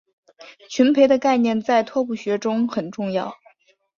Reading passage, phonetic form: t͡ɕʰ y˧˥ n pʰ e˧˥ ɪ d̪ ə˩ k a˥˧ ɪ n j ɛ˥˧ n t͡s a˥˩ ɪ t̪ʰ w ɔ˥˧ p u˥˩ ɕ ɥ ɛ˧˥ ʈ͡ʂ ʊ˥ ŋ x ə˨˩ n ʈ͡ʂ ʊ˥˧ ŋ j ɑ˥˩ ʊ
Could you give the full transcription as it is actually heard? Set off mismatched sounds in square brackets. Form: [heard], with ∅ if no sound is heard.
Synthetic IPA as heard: t͡ɕʰ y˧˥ n pʰ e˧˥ ɪ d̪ [ə˧] k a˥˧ ɪ n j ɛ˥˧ n t͡s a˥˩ ɪ t̪ʰ w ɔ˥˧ p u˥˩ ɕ ɥ ɛ˧˥ ʈ͡ʂ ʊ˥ ŋ x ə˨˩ n ʈ͡ʂ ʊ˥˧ ŋ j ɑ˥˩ ʊ